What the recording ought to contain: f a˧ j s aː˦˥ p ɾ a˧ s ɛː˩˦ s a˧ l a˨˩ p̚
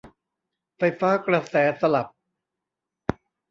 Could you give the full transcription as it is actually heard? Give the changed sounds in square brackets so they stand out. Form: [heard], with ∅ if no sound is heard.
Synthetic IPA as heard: f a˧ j [f] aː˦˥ [k] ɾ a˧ s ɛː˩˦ s a˧ l a˨˩ p̚